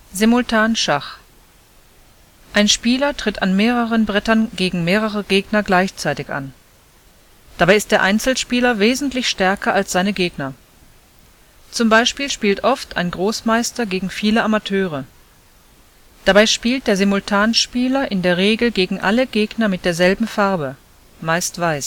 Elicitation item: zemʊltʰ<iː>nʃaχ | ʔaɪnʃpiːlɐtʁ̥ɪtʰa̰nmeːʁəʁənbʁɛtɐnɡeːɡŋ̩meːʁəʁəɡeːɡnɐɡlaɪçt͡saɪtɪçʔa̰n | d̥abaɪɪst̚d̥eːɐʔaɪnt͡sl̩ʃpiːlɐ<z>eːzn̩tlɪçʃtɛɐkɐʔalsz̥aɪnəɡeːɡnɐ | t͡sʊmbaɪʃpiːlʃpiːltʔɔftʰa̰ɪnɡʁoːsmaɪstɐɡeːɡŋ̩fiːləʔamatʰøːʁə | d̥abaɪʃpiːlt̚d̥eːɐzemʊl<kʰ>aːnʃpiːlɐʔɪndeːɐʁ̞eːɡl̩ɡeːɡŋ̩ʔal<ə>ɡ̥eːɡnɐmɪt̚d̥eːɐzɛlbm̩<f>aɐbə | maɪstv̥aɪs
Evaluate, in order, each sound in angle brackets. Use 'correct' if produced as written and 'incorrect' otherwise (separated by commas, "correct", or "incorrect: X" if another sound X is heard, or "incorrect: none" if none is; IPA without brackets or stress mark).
incorrect: aː, incorrect: v, incorrect: tʰ, correct, correct